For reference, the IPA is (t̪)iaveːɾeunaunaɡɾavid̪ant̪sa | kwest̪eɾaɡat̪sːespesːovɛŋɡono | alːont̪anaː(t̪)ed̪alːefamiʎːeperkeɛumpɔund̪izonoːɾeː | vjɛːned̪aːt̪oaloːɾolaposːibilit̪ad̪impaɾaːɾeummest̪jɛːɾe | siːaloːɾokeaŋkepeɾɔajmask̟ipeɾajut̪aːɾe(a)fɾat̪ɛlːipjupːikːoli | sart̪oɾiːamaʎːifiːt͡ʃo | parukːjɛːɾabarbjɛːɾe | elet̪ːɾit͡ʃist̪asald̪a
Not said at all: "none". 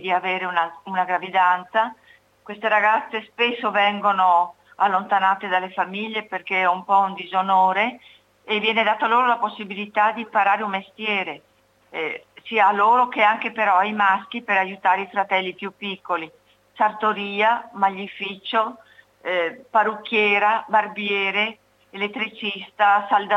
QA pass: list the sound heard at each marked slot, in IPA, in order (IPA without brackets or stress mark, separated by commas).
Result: d̪, t̪, i